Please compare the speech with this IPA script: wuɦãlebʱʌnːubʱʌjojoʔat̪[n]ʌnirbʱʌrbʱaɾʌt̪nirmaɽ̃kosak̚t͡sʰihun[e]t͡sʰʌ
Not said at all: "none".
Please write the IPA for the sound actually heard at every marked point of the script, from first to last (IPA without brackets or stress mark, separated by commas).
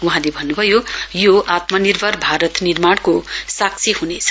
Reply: m, e